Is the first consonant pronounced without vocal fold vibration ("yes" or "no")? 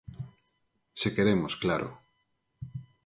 yes